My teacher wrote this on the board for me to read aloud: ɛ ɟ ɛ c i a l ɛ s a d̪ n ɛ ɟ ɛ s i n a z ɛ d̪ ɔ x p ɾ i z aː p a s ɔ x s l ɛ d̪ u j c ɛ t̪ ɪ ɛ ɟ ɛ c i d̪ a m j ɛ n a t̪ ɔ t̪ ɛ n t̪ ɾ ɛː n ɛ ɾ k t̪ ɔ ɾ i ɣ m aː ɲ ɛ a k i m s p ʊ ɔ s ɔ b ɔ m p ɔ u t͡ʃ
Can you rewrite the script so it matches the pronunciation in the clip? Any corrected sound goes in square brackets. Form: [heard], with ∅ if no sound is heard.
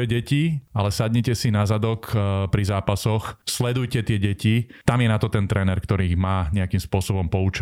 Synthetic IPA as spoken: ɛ ɟ ɛ c i a l ɛ s a d̪ [ɲ] ɛ [c] ɛ s i n a z [a] d̪ ɔ [k] p ɾ i z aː p a s ɔ x s l ɛ d̪ u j c ɛ t̪ ɪ ɛ ɟ ɛ c i [t̪] a m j ɛ n a t̪ ɔ t̪ ɛ n t̪ ɾ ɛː n ɛ ɾ k t̪ ɔ ɾ i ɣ m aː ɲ ɛ a k i m s p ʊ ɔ s ɔ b ɔ m p ɔ u t͡ʃ